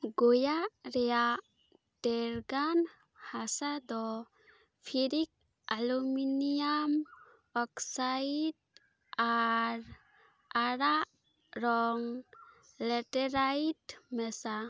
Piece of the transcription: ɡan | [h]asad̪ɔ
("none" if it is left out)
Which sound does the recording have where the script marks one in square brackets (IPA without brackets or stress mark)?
h